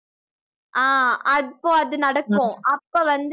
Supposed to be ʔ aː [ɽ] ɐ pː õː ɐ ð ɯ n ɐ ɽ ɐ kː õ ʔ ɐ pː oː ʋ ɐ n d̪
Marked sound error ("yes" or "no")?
yes